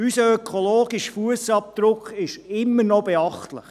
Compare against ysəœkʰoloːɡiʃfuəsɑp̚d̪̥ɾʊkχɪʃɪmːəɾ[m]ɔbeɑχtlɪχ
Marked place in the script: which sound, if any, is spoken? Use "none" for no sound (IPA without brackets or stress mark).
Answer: n